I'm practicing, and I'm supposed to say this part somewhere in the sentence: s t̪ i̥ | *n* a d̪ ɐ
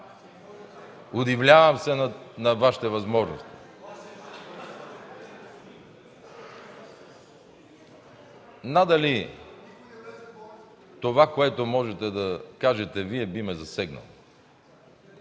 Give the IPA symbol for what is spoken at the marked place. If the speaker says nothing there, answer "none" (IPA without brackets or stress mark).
n